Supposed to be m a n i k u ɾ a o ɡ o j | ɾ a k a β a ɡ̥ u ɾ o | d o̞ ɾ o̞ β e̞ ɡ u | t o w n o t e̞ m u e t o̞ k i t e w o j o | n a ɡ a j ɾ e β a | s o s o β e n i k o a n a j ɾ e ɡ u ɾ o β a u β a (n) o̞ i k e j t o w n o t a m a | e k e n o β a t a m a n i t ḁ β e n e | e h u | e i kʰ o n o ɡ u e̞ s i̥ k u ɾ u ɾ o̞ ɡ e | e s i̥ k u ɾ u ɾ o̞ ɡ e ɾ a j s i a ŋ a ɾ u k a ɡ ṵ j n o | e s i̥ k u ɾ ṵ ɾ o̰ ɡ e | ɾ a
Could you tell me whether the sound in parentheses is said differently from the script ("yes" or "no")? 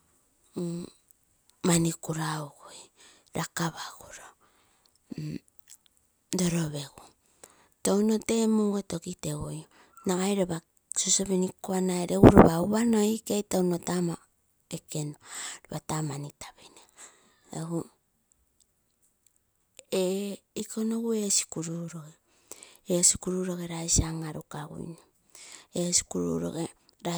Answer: no